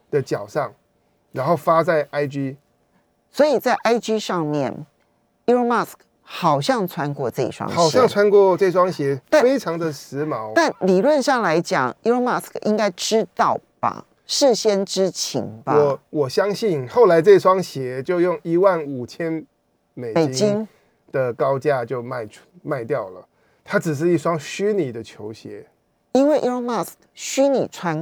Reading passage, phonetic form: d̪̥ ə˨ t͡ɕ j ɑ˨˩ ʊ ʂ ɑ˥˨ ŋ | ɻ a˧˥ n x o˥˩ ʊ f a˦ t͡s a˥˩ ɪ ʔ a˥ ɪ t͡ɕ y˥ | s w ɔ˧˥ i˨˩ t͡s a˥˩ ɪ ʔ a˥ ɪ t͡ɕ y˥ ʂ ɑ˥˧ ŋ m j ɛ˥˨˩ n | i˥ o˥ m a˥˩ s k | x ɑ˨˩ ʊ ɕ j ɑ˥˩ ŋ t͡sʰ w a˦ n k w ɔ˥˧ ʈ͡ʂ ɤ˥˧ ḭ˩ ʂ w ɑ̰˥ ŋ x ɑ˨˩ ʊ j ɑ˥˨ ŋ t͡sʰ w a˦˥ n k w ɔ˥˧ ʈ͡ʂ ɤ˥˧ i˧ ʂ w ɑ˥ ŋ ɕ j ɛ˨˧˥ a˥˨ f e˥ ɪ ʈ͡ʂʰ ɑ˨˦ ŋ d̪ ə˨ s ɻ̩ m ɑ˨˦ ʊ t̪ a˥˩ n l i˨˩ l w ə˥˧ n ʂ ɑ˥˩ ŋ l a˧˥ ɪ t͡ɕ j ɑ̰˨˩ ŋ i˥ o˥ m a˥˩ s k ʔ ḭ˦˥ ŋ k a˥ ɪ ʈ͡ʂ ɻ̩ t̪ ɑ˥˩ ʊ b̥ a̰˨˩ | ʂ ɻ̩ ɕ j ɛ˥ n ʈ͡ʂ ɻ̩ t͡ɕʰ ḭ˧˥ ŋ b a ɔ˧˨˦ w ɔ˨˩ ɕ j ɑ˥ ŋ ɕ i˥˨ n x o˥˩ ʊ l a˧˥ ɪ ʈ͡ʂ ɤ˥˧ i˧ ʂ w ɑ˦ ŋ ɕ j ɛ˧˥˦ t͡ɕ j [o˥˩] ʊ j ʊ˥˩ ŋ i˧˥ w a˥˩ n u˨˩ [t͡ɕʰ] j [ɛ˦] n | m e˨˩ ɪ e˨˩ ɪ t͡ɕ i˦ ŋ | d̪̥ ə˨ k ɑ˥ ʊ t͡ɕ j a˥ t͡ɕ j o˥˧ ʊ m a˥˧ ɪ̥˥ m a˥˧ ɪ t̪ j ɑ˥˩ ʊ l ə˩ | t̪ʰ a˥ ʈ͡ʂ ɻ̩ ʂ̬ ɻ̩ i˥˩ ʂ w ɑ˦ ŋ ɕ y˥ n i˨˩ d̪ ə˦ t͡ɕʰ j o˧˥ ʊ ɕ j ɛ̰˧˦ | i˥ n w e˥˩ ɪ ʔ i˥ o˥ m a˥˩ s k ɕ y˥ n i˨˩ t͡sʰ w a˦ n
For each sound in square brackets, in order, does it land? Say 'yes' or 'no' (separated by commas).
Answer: no, yes, yes